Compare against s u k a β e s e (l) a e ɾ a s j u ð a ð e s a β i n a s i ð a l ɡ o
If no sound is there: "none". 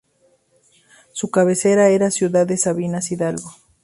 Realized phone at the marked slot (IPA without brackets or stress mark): ɾ